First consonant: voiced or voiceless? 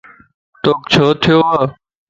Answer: voiceless